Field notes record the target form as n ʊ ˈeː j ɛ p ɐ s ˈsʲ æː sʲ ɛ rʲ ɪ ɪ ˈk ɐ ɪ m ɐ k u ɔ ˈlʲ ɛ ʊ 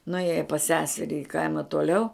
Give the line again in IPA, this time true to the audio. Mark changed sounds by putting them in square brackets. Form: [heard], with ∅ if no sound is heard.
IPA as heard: n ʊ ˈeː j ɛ p ɐ s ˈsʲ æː sʲ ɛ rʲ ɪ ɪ ˈk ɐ ɪ m ɐ [t] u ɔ ˈlʲ ɛ ʊ